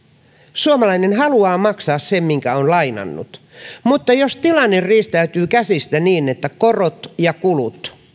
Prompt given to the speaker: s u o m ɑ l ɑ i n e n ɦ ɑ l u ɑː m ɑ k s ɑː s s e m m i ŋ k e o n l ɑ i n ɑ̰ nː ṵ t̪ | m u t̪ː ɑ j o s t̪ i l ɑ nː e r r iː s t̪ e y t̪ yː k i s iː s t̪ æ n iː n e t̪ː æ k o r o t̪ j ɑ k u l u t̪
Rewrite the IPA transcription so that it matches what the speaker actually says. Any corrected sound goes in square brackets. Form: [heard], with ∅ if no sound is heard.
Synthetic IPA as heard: s u o m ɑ l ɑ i n e n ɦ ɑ l u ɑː m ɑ k s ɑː s s e m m i ŋ k [æ] o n l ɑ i n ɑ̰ nː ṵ t̪ | m u t̪ː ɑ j o s t̪ i l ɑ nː e r r iː s t̪ [æ] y t̪ yː k [æ] s [i] s t̪ æ n iː n e t̪ː æ k o r o t̪ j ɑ k u l u t̪